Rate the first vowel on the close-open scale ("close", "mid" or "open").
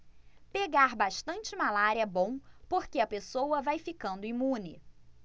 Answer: mid